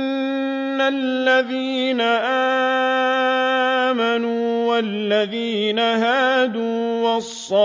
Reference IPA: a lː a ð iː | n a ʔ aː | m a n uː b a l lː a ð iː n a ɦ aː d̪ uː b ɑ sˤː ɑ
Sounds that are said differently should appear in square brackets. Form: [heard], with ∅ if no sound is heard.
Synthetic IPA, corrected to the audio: a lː a ð iː | n a ʔ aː | m a n uː [w] a l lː a ð iː n a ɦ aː d̪ uː [w] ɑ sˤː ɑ